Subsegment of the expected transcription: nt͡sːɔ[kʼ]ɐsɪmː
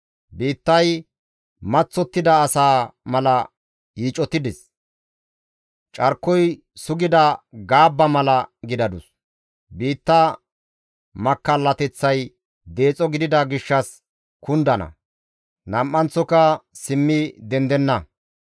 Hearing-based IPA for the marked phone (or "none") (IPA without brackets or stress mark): k